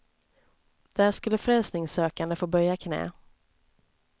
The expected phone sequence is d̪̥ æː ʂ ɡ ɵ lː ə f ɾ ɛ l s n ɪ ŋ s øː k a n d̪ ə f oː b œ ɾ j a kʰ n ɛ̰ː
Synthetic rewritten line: d̪̥ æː ʂ k ɵ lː ə f ɾ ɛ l s n ɪ ŋ s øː k a n d̪ ə f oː b œ ɾ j a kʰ n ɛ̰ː

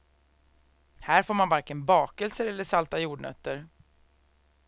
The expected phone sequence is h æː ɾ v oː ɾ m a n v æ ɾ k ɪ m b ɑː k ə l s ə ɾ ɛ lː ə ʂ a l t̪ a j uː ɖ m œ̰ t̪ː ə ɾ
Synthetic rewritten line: h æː ɾ f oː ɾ m a n v a ɾ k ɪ n b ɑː k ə l s ə ɾ ɛ lː ə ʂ a l t̪ a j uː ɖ ɳ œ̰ t̪ː ə ɾ

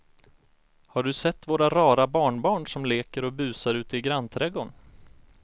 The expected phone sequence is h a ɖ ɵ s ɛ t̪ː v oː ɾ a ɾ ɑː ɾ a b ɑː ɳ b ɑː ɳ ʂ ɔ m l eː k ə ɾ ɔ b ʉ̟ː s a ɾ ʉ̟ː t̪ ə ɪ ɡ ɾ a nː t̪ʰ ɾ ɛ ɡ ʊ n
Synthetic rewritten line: h a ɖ ɵ s ɛ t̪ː v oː ɾ a ɾ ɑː ɾ a b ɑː ɳ b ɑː ɳ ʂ ɔ m l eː k ə ɾ ɔ b ʉ̟ː s a ɾ ʉ̟ː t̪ ə ɪ ɡ ɾ a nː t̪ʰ ɾ ɛ ɡ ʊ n

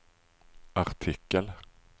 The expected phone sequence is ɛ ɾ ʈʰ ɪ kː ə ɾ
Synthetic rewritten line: a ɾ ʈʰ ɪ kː ə l

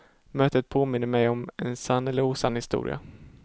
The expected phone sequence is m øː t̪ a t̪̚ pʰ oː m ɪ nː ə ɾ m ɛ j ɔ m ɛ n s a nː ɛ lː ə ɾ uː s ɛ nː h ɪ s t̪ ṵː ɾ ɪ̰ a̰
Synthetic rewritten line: m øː t̪ ə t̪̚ pʰ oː m ɪ nː ə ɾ m ɛ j ɔ m ɛ n s a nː ɛ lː ə ɾ uː s a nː h ɪ s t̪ ṵː ɾ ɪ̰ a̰

